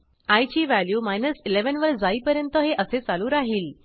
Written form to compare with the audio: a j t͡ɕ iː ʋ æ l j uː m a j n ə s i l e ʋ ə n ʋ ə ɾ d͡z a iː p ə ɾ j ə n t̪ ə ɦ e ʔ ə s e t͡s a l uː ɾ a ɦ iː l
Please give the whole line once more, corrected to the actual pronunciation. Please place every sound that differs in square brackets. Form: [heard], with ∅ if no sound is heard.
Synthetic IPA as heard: a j t͡ɕ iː ʋ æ l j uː m a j n ə s i l e ʋ ə n ʋ ə ɾ d͡z a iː p ə ɾ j ə n t̪ ə ɦ e ʔ ə s e t͡s a l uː ɾ a ɦ iː l